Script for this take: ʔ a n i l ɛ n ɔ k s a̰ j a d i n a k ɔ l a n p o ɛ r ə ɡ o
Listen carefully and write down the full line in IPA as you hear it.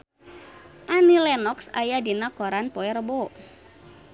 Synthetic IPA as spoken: ʔ a n i l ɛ n ɔ k s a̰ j a d i n a k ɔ ɾ a n p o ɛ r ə b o